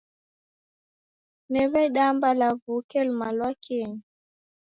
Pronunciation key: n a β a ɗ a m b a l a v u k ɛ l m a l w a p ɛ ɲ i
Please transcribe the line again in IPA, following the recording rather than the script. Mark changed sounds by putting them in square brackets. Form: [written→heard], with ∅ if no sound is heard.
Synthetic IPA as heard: n [a→ɛ] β [a→ɛ] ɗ a m b a l a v u k ɛ l m a l w a [p→k] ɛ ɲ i

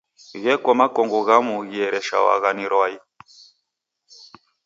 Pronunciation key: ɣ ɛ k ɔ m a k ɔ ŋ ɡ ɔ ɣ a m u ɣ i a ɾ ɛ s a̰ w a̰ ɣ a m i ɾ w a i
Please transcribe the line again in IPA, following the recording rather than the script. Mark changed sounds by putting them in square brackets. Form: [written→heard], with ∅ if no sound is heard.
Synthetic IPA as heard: ɣ ɛ k ɔ m a k ɔ ŋ ɡ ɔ ɣ a m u ɣ i [a→ɛ] ɾ ɛ [s→ʃ] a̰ w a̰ ɣ a [m→n] i ɾ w a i

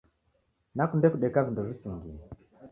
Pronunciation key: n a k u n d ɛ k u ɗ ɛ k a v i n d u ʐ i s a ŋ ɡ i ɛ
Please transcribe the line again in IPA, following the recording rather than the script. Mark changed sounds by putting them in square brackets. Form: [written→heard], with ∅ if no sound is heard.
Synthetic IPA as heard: n a k u n d ɛ k u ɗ ɛ k a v i n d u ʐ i s [a→i] ŋ ɡ i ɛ

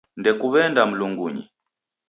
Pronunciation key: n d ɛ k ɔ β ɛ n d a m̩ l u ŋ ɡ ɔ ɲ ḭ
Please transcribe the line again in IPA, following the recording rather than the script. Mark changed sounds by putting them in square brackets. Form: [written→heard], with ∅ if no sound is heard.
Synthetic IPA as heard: n d ɛ k [ɔ→u] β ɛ n d a m̩ l u ŋ ɡ [ɔ→u] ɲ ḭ

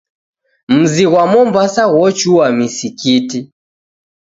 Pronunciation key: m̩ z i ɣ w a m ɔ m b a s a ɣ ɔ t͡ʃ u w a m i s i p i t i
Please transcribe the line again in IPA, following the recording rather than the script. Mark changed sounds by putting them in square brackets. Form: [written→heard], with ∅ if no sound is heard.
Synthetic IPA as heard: m̩ z i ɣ w a m ɔ m b a s a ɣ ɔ t͡ʃ u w a m i s i [p→k] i t i

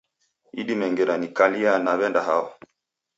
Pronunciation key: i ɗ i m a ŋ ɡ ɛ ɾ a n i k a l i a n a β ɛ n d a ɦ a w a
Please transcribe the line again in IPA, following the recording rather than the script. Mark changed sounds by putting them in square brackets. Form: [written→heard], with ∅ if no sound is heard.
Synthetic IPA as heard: i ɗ i m [a→ɛ] ŋ ɡ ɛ ɾ a n i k a l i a n a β ɛ n d a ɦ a w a

